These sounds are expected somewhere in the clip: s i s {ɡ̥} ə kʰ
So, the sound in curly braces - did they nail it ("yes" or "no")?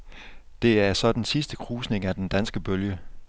no